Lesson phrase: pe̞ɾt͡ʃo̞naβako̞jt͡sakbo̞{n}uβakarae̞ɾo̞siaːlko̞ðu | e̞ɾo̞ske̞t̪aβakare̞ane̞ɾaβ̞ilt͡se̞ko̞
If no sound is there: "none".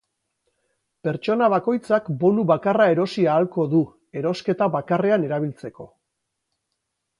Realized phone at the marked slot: n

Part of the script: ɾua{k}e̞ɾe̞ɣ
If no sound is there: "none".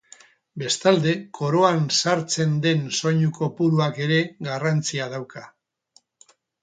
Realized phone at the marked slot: k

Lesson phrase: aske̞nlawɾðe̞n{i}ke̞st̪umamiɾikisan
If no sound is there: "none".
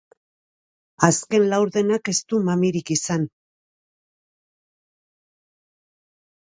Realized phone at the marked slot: a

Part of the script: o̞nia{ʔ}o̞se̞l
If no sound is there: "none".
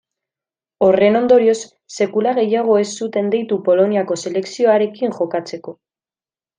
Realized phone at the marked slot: k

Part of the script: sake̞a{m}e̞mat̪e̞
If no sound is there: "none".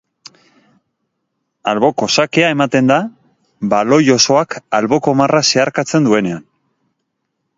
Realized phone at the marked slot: none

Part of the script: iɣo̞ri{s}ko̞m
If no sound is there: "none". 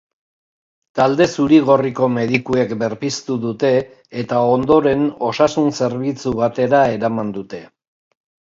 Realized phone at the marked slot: none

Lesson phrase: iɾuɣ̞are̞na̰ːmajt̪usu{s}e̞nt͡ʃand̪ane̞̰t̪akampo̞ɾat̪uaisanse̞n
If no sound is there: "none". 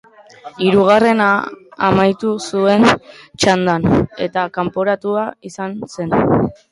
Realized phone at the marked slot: none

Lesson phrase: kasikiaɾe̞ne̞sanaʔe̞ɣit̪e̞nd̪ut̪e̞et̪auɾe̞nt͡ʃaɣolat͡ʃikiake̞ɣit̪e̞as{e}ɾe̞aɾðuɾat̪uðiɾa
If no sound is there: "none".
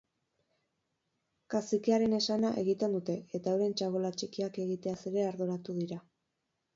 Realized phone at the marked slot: e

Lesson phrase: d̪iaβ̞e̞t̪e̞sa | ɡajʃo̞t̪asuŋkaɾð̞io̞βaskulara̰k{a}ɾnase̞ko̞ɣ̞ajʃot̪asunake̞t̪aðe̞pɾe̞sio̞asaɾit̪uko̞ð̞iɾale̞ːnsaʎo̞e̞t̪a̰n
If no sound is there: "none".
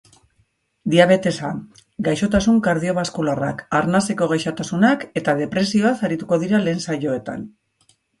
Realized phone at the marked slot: a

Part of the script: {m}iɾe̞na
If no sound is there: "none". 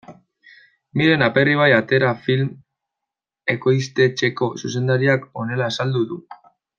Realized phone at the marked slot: m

